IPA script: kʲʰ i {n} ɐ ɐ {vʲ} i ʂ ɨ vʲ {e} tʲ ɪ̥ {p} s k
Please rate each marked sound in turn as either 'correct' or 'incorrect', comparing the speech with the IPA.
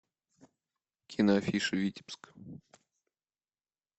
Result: correct, incorrect: fʲ, incorrect: i, correct

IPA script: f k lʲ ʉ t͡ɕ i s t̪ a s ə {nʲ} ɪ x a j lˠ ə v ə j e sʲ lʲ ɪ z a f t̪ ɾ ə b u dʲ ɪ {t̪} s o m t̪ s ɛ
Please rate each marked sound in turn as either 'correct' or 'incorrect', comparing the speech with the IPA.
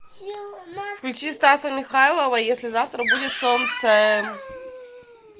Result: incorrect: mʲ, correct

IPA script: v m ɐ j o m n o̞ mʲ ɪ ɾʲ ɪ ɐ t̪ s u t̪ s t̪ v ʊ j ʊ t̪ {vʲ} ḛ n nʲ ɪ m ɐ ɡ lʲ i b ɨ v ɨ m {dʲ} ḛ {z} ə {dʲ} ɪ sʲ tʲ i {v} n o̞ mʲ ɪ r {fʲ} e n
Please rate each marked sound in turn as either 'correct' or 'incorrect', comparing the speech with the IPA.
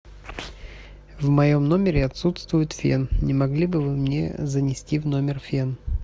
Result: incorrect: fʲ, incorrect: nʲ, correct, incorrect: nʲ, correct, correct

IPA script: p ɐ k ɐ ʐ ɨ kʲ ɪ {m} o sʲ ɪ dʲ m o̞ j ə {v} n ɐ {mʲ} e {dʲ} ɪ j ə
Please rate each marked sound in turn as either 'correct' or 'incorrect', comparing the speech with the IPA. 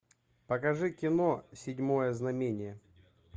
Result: incorrect: n, incorrect: z, correct, incorrect: nʲ

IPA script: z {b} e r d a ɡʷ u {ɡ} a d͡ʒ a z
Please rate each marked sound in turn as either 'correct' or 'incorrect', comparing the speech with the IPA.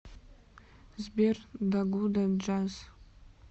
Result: correct, incorrect: d

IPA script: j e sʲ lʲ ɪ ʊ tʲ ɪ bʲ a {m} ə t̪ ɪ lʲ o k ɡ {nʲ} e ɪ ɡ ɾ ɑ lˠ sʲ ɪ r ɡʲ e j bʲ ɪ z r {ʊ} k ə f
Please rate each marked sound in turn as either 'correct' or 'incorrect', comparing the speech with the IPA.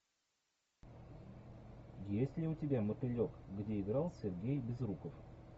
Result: correct, incorrect: dʲ, incorrect: u

